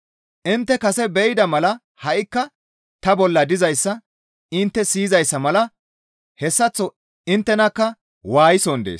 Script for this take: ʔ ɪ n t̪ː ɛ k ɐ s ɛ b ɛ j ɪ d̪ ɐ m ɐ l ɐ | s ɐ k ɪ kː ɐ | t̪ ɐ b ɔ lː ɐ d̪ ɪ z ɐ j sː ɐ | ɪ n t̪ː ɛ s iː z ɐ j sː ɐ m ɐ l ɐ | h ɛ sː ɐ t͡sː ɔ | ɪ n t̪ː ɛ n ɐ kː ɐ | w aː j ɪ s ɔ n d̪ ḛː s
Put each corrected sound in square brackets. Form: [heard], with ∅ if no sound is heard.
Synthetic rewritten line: ʔ ɪ n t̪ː ɛ k ɐ s ɛ b ɛ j ɪ d̪ ɐ m ɐ l ɐ | [h] ɐ [ʔ] ɪ kː ɐ | t̪ ɐ b ɔ lː ɐ d̪ ɪ z ɐ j sː ɐ | ɪ n t̪ː ɛ s iː z ɐ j sː ɐ m ɐ l ɐ | h ɛ sː ɐ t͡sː ɔ | ɪ n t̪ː ɛ n ɐ kː ɐ | w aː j ɪ s ɔ n d̪ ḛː s